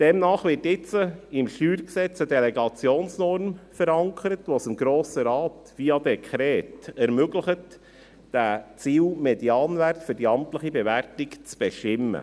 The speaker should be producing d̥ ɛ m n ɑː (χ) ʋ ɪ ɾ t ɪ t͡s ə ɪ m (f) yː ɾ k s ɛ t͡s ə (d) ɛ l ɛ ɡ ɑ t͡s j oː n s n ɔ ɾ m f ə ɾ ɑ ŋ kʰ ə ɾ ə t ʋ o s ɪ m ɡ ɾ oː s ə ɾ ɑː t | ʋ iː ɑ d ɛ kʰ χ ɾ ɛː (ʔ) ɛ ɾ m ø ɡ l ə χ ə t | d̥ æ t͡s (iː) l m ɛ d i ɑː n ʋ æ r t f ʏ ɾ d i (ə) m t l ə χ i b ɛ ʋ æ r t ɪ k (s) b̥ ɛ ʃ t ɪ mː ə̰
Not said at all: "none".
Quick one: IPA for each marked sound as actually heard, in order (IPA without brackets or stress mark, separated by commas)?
χ, ʃ, d, t, iː, ɑ, t͡s